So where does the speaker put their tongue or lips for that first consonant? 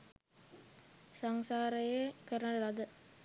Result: tongue tip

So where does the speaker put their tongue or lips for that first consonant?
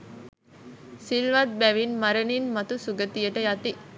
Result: tongue tip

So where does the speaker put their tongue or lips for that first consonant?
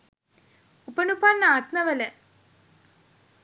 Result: lips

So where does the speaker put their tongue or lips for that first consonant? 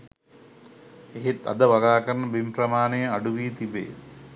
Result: throat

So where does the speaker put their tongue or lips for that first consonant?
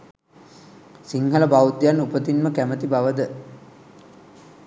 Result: tongue tip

